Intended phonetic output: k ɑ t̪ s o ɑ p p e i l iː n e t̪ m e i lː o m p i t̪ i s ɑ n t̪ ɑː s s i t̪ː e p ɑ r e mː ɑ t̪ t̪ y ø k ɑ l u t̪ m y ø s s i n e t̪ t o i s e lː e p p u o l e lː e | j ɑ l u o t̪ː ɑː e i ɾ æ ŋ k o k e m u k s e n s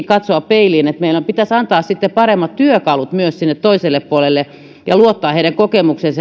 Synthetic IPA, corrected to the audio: k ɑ t̪ s o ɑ p p e i l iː n e t̪ m e i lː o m p i t̪ æ s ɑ n t̪ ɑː s s i t̪ː e p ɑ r e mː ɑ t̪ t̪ y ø k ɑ l u t̪ m y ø s s i nː e t̪ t o i s e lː e p p u o l e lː e | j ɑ l u o t̪ː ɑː e i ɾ æ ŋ k o k e m u k s e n s